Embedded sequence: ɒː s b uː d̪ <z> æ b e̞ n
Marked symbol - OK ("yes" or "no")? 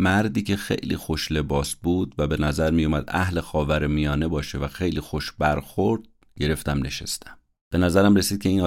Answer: no